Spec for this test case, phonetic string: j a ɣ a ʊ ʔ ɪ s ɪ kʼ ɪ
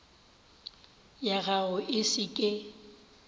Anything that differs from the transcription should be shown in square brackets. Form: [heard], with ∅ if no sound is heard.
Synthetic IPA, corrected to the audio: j a ɣ a ʊ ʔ ɪ s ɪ kʼ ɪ

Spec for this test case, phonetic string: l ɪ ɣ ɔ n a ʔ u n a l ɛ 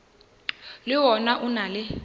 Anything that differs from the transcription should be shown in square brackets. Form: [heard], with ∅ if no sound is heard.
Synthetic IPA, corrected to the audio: l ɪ [w] ɔ n a ʔ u n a l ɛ

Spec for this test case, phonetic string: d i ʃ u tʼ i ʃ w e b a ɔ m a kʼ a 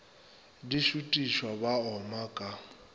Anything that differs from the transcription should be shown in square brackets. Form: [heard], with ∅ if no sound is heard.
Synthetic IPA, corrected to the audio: d i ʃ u tʼ i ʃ w [a] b a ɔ m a kʼ a

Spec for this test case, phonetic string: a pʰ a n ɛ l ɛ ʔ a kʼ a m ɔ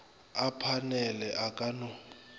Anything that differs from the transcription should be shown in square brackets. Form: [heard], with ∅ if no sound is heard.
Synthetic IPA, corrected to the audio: a pʰ a n ɛ l ɛ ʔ a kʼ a [n] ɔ

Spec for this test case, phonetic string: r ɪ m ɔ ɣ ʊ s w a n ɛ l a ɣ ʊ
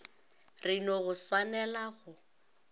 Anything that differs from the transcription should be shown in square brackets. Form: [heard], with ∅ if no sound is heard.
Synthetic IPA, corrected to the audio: r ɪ [n] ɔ ɣ ʊ s w a n ɛ l a ɣ ʊ

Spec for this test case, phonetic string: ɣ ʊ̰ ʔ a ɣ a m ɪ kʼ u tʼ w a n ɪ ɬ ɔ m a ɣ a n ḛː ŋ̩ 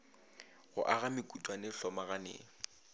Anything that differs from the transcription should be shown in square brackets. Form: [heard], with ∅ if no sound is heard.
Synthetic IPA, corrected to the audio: ɣ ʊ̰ ʔ a ɣ a m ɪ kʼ u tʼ w a n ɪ ɬ ɔ m a ɣ a n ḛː ŋ̩

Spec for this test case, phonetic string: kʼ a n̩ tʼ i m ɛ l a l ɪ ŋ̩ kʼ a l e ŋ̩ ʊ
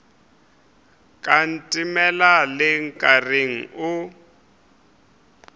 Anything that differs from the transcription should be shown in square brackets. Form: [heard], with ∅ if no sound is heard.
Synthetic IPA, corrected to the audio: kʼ a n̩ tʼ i m ɛ l a l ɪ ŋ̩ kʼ a [r] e ŋ̩ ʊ

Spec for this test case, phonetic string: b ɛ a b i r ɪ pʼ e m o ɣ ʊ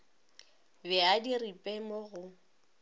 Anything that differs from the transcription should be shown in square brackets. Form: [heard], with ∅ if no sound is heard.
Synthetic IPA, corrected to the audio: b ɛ a [d] i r [i] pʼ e m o ɣ ʊ

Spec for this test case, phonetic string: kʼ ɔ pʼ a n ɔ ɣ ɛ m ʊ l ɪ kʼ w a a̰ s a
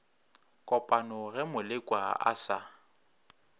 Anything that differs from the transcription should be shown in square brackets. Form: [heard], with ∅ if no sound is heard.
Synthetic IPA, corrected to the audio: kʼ ɔ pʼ a n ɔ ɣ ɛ m ʊ l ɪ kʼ w a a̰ s a

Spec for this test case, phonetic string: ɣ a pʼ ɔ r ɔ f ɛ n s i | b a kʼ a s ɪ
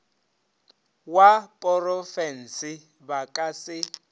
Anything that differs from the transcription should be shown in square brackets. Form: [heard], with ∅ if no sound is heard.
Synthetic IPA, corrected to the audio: [w] a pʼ ɔ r ɔ f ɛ n s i | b a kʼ a s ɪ

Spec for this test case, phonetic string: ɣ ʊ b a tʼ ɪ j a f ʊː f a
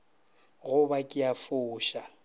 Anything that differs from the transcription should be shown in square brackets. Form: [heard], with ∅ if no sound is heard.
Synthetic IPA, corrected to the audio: ɣ ʊ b a [kʼ] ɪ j a f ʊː [ʃ] a

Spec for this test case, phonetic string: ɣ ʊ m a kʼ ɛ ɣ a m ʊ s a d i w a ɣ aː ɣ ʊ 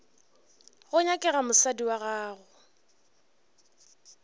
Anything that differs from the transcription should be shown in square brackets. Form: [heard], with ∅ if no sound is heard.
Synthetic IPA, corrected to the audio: ɣ ʊ [ɲ] a kʼ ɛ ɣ a m ʊ s a d i w a ɣ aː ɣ ʊ

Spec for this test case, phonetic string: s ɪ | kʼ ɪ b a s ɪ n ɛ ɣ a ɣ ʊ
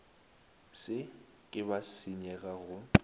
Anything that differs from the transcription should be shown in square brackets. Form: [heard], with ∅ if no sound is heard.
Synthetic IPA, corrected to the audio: s ɪ | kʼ ɪ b a s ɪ [ɲ] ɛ ɣ a ɣ ʊ

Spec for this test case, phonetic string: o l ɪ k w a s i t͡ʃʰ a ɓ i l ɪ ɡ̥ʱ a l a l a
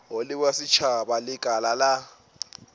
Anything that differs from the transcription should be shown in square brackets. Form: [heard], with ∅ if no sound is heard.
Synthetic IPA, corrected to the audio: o l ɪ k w a s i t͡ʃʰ a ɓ [a] l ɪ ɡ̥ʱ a l a l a

